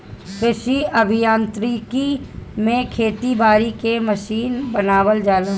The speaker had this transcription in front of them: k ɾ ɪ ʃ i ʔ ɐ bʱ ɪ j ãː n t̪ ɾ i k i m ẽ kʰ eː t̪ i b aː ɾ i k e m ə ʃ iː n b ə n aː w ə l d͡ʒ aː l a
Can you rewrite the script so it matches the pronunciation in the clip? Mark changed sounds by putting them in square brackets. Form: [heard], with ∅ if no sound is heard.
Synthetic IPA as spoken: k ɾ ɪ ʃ i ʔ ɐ bʱ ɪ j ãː n t̪ ɾ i k i m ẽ kʰ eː t̪ i b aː ɾ i k e m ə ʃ iː n b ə n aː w ə l d͡ʒ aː l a